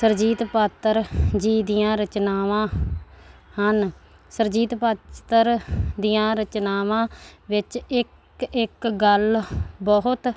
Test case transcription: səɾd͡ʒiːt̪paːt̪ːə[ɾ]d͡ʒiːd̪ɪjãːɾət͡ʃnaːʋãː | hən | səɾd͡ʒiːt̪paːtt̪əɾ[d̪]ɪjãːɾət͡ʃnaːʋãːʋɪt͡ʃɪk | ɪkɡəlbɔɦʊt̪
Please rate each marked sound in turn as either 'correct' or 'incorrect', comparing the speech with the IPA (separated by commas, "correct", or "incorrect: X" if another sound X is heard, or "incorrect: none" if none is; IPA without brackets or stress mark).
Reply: correct, correct